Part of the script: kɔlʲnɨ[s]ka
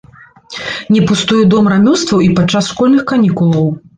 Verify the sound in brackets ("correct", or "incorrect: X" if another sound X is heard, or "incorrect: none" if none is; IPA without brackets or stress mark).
incorrect: x